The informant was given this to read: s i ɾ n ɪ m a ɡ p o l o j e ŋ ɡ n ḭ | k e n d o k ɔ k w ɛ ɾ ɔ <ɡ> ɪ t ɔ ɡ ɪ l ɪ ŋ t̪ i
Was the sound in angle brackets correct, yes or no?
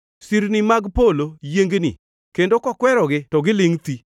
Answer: yes